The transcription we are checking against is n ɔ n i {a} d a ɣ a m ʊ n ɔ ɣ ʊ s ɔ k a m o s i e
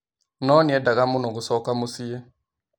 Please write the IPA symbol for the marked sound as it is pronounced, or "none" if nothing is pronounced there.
ɛ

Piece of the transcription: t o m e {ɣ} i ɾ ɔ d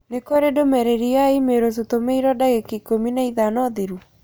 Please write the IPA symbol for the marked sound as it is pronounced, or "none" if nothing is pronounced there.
none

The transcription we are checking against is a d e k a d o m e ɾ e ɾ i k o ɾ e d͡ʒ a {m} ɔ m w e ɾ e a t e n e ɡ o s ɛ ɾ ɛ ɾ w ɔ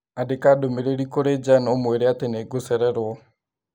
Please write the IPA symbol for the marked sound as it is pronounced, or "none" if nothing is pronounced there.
n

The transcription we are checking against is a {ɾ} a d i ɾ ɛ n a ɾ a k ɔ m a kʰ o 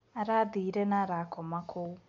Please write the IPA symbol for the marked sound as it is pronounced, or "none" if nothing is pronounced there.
ɾ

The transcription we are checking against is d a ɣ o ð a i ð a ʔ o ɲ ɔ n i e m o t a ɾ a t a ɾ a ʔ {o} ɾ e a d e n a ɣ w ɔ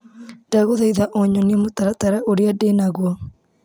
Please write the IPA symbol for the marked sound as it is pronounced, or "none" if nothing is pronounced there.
o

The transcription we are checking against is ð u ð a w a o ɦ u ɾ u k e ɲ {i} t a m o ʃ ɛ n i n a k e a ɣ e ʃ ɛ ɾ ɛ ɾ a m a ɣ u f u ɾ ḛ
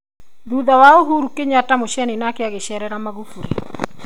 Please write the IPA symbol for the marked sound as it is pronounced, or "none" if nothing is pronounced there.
a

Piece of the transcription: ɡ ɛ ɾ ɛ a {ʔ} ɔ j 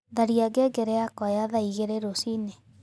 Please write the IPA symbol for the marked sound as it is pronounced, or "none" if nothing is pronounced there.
k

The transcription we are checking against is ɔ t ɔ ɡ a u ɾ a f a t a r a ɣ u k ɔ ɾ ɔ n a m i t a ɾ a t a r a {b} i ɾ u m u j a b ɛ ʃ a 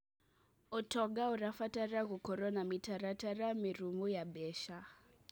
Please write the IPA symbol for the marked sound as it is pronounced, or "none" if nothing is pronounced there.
m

